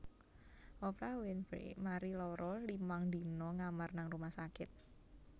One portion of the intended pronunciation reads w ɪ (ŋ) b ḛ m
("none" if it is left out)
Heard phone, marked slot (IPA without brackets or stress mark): n